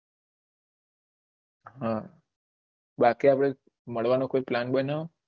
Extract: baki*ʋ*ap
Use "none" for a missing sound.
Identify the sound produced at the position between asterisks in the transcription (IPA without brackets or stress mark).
none